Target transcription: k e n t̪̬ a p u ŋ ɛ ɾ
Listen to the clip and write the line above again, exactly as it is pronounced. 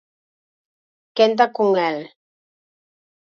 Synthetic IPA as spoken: k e n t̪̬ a k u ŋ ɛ l